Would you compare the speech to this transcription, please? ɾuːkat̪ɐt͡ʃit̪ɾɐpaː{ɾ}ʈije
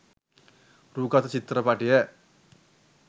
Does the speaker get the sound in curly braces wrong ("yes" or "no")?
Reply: yes